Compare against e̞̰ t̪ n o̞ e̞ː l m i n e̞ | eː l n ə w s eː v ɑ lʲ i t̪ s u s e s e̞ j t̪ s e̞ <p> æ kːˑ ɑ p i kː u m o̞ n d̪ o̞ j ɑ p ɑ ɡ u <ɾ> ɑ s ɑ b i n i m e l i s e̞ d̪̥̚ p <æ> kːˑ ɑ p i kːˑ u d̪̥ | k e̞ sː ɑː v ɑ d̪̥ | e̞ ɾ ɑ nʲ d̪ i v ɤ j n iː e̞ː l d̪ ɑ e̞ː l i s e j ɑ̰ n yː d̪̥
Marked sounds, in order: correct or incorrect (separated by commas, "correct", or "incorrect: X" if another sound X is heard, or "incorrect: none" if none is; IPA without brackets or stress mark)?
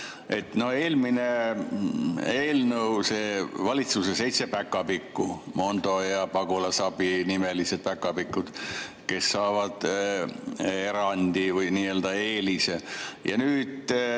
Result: correct, incorrect: l, correct